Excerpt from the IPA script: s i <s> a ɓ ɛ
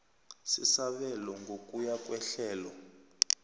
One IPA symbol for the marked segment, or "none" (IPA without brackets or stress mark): s